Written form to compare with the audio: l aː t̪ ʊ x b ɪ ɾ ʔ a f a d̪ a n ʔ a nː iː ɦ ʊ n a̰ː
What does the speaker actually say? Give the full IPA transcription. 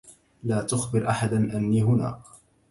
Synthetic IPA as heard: l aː t̪ ʊ x b ɪ ɾ ʔ a ħ a d̪ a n ʔ a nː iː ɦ ʊ n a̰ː